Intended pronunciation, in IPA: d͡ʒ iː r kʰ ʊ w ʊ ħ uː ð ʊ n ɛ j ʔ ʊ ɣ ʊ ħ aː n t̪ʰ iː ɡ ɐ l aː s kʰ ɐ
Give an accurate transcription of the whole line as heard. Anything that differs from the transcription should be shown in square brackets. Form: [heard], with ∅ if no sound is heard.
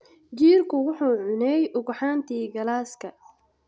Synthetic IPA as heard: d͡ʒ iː r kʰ ʊ w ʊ ħ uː [ʕ] ʊ n ɛ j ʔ ʊ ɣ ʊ ħ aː n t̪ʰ iː ɡ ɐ l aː s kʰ ɐ